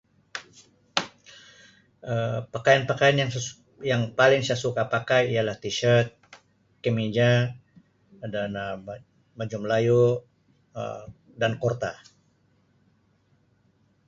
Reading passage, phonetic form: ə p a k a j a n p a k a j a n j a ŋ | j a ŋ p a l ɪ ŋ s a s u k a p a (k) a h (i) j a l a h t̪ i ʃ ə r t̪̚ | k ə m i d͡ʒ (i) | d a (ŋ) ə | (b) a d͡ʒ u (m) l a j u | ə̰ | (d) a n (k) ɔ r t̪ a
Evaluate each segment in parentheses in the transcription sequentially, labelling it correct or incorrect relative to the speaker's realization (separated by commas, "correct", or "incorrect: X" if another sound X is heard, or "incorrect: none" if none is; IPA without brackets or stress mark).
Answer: correct, correct, incorrect: a, incorrect: n, incorrect: m, correct, correct, correct